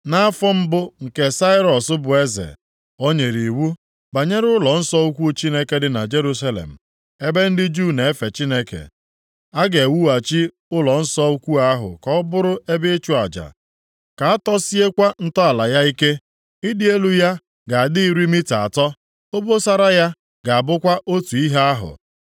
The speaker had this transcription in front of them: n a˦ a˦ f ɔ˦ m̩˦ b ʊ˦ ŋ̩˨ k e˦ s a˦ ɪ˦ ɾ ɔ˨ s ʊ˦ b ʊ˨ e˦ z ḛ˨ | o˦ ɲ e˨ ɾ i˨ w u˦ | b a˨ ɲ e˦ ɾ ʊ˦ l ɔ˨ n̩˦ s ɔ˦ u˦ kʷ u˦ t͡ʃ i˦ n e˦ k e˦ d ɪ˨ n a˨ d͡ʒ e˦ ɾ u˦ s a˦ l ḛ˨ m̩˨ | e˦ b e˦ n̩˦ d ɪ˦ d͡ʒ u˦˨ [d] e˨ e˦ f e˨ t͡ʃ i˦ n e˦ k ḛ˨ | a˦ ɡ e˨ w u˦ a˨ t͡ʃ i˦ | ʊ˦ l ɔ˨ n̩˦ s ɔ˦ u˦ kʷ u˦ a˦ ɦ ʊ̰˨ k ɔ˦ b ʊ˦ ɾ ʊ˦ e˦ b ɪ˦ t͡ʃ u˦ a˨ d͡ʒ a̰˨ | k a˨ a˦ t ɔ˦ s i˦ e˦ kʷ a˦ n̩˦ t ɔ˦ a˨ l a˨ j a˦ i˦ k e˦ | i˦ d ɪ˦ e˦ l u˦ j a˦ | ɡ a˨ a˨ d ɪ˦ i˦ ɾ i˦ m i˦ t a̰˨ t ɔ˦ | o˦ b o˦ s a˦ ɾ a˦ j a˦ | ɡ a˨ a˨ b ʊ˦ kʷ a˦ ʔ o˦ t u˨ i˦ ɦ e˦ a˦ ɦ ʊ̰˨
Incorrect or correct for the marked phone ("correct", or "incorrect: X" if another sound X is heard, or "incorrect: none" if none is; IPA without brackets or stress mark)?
incorrect: n